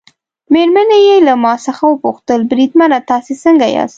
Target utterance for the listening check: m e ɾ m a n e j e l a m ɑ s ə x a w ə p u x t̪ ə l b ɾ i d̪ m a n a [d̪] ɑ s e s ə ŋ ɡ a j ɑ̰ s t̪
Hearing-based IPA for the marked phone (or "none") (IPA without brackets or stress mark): t̪